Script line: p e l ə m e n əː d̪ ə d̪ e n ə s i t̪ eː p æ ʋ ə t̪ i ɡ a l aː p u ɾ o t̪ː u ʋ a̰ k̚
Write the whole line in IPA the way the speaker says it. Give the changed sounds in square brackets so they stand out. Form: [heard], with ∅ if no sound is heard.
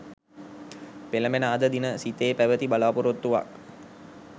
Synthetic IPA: p e l ə m e n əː d̪ ə d̪ [i] n ə s i t̪ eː p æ ʋ ə t̪ i [b] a l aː p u ɾ o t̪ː u ʋ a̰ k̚